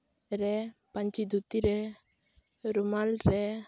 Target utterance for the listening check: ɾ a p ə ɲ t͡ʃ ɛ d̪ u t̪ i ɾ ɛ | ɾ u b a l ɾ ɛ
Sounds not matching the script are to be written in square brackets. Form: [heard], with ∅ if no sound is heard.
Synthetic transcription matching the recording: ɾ [ɛ] p [a] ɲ t͡ʃ [i] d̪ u t̪ i ɾ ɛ | ɾ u [m] a l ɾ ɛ